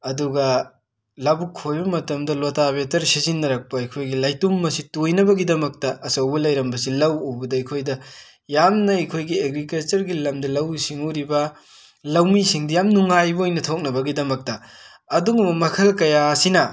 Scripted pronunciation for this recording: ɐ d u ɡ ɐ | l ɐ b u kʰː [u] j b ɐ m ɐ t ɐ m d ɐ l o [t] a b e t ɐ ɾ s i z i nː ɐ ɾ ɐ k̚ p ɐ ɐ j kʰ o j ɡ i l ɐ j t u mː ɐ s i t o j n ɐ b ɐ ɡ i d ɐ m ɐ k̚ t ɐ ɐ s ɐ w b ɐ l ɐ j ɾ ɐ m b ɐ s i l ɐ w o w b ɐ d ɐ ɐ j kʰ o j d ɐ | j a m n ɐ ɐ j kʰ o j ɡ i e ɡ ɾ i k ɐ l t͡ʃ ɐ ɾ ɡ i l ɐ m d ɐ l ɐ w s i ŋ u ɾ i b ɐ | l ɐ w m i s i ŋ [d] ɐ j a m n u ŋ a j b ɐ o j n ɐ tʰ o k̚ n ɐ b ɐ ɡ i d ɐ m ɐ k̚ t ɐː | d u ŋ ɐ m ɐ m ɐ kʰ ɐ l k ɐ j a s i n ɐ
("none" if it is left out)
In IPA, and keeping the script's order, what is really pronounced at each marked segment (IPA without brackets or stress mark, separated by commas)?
o, t, d